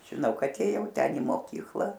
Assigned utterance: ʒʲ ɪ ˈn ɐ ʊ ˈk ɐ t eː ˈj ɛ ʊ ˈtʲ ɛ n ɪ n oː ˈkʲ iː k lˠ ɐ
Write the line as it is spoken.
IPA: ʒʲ ɪ ˈn ɐ ʊ ˈk ɐ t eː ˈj ɛ ʊ ˈtʲ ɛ n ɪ m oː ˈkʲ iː k lˠ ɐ